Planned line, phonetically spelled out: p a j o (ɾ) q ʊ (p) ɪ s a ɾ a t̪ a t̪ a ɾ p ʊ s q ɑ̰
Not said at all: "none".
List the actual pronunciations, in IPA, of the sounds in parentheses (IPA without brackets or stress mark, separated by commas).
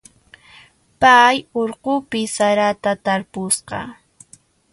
ɾ, p